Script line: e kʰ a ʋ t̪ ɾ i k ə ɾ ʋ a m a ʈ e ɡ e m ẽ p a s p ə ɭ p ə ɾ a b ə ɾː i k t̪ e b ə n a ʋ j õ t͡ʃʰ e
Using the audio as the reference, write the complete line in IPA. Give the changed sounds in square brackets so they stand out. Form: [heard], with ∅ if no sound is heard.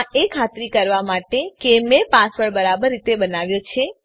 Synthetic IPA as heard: e kʰ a [∅] t̪ ɾ i k ə ɾ ʋ a m a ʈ e [k] e m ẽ p a s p ə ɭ [b] ə ɾ a b ə ɾː i [∅] t̪ e b ə n a ʋ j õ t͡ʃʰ e